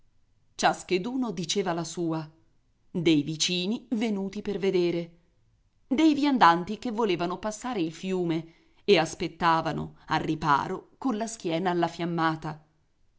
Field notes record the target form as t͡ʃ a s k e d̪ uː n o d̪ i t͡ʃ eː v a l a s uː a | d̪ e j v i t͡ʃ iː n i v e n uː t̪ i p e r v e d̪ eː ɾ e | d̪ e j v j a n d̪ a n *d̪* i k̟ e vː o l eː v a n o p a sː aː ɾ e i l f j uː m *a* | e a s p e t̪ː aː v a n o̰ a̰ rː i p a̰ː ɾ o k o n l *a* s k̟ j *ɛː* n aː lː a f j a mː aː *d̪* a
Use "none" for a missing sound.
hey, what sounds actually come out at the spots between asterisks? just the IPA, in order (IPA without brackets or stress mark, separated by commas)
t̪, e, a, ɛː, t̪